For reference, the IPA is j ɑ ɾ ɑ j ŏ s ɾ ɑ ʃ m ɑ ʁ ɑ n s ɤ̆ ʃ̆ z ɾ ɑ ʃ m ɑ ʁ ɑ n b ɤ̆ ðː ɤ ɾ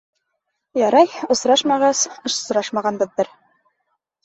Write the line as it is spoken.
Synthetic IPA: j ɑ ɾ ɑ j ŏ s ɾ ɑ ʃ m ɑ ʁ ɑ s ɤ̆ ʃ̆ s ɾ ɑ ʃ m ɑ ʁ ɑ n b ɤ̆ ðː ɤ ɾ